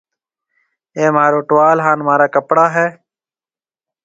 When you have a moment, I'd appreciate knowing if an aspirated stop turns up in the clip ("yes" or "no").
no